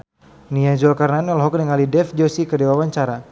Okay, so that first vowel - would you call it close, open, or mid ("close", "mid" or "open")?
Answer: close